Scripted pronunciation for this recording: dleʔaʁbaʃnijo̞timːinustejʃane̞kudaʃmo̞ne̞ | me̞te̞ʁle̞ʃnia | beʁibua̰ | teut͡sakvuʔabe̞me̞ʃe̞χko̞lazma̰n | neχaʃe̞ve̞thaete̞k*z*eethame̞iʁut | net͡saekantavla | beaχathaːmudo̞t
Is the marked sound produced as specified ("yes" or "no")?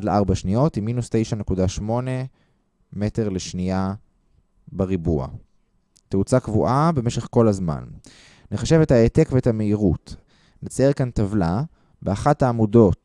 no